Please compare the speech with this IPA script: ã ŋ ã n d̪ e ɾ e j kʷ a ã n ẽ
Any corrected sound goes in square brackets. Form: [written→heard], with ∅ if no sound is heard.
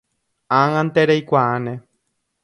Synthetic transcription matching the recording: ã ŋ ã n [d̪→t̪] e ɾ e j kʷ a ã n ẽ